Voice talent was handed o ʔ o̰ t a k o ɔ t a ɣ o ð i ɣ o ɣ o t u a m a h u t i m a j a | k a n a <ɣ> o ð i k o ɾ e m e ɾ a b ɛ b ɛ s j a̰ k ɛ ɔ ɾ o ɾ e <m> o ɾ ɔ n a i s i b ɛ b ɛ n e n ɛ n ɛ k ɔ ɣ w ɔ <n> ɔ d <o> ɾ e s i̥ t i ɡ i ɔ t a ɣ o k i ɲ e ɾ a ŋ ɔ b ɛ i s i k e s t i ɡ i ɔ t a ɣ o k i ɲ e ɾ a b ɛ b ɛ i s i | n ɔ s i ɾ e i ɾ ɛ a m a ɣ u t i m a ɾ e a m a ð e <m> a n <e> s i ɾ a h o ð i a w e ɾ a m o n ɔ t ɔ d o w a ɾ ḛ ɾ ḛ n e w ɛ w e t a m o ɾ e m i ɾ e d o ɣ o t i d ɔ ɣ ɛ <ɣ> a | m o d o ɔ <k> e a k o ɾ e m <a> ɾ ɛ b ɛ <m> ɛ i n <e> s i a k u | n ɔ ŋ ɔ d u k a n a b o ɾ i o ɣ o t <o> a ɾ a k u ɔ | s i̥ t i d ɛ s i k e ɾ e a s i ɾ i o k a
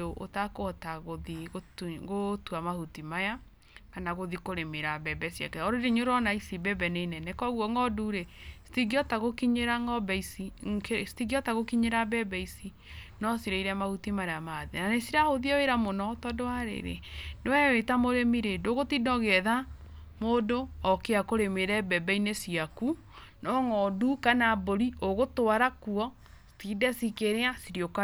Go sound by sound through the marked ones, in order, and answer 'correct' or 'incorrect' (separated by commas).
correct, incorrect, incorrect, incorrect, incorrect, correct, incorrect, correct, incorrect, incorrect, correct, correct